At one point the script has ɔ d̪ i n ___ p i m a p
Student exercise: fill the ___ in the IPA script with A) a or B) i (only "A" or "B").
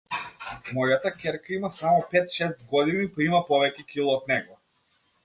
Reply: B